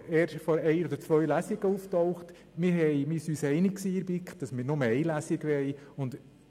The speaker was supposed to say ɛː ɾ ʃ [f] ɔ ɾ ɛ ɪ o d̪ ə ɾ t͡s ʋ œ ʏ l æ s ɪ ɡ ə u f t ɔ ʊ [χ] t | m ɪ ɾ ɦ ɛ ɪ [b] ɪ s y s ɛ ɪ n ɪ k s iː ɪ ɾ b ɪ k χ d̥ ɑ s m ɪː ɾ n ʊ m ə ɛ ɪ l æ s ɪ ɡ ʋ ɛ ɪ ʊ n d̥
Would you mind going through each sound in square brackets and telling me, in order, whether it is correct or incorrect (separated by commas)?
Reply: correct, correct, incorrect